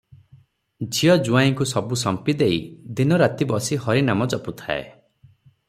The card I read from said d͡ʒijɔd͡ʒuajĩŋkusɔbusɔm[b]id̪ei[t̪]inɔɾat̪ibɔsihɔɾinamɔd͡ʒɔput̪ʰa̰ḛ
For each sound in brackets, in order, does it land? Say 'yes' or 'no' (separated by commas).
no, no